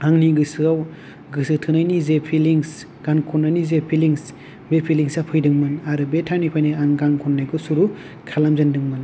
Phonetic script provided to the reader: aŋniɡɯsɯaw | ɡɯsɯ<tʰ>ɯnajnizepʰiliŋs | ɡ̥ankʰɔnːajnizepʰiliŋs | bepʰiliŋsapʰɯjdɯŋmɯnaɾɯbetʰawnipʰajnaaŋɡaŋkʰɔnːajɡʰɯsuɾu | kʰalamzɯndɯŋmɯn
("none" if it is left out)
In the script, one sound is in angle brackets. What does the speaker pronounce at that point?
tʰ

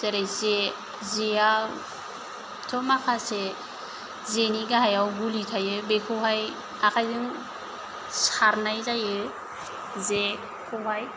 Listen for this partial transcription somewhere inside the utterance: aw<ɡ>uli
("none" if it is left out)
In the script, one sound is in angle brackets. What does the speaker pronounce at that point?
ɡ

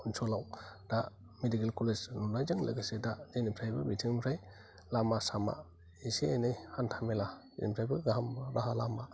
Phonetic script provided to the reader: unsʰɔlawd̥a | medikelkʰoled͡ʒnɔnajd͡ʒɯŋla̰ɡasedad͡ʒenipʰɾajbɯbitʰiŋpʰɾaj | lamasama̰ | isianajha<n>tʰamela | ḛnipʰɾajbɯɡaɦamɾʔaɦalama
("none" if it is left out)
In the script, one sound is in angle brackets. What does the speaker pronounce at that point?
n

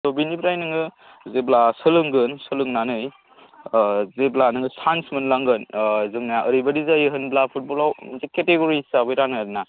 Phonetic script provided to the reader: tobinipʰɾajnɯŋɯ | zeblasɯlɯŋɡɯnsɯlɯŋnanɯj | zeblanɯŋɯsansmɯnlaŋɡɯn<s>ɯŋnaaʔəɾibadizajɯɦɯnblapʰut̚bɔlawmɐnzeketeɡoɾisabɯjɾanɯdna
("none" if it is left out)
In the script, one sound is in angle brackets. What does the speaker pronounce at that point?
z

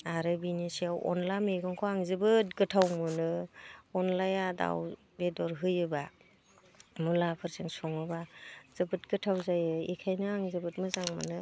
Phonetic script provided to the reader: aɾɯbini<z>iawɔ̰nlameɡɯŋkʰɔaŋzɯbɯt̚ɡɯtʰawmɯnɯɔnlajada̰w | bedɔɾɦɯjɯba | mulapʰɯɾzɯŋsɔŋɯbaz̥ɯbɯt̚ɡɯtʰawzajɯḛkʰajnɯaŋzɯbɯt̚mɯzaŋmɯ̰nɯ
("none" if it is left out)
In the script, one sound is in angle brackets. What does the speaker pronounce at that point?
s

